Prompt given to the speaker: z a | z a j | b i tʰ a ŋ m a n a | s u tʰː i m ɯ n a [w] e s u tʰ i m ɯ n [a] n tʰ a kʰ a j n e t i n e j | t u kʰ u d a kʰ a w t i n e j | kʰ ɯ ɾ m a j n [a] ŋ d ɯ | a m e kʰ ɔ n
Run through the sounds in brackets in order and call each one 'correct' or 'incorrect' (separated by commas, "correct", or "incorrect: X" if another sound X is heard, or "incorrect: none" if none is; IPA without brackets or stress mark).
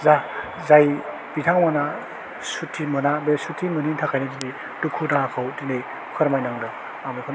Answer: incorrect: b, incorrect: i, correct